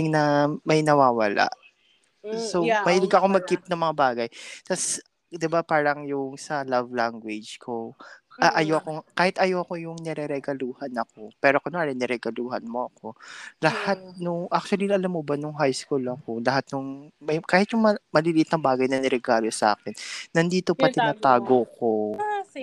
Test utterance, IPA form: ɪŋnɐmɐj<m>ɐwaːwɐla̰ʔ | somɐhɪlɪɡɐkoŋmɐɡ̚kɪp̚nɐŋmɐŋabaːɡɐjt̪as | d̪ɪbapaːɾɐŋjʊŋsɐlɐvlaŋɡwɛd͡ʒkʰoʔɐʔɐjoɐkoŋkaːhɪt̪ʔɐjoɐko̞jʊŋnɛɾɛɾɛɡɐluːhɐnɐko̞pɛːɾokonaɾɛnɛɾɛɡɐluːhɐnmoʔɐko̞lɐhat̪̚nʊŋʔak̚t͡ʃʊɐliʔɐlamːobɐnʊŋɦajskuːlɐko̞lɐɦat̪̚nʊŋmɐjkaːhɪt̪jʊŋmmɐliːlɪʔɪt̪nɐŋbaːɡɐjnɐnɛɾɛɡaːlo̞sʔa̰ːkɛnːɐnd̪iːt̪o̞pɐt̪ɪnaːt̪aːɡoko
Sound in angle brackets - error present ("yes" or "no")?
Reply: yes